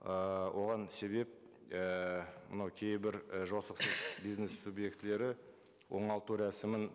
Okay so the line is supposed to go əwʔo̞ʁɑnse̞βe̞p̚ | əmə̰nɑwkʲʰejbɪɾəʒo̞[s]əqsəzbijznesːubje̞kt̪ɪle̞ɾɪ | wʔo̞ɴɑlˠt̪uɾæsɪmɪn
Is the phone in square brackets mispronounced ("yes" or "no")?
no